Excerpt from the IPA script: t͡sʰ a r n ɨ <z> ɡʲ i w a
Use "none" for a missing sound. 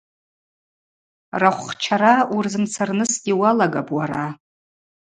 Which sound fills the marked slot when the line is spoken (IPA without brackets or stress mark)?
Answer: s